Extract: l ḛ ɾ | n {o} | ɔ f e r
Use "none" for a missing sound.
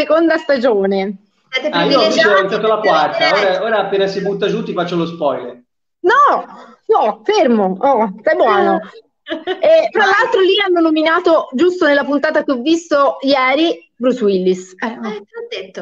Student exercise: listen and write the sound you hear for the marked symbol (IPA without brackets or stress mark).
ɔ